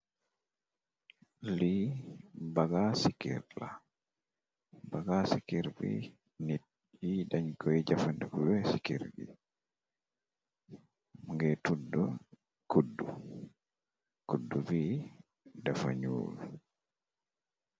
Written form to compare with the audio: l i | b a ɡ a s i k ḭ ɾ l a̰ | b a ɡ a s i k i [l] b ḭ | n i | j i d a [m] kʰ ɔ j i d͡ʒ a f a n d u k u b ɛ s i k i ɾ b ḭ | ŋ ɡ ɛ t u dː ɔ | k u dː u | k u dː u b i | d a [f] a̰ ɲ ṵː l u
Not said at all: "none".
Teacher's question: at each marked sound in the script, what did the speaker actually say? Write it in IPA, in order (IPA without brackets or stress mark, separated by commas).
ɾ, ɲ, f